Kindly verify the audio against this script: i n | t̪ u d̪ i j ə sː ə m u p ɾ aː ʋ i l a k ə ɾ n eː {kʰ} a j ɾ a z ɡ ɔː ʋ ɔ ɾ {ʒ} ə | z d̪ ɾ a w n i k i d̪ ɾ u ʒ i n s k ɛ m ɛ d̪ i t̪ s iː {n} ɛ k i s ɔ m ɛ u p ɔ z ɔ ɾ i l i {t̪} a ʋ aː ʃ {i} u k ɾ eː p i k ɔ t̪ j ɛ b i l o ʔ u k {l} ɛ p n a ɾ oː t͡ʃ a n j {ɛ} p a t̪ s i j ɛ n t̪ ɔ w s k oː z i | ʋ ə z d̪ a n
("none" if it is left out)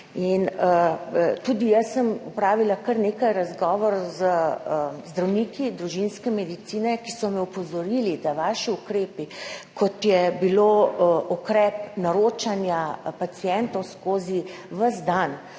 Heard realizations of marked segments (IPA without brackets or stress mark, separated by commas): k, z, n, d̪, i, ɾ, a